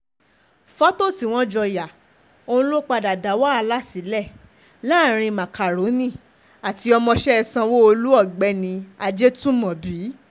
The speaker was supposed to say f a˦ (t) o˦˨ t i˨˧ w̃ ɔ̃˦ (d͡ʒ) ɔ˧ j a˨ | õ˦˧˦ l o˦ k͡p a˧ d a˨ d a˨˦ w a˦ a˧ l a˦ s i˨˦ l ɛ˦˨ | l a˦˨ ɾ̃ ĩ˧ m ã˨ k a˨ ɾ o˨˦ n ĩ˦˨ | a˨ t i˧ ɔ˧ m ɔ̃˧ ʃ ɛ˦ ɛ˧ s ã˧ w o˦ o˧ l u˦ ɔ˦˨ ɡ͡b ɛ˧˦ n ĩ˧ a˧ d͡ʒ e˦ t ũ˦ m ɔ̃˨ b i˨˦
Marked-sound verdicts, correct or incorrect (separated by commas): correct, correct